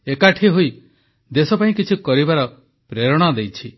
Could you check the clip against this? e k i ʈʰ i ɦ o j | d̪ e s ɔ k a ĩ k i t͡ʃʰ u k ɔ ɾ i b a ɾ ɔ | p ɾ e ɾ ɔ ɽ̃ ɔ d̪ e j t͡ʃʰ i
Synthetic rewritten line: e k a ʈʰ i ɦ o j | d̪ e s ɔ p a ĩ k i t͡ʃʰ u k ɔ ɾ i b a ɾ ɔ | p ɾ e ɾ ɔ ɽ̃ ɔ d̪ e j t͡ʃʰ i